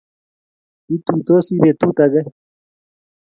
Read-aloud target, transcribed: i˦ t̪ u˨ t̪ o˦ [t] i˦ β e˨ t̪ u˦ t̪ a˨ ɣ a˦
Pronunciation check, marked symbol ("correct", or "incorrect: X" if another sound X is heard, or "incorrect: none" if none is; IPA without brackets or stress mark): incorrect: s